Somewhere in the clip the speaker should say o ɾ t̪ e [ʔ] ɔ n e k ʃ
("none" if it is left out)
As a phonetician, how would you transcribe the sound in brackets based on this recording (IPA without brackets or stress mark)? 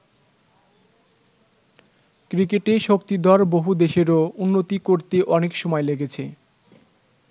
ʔ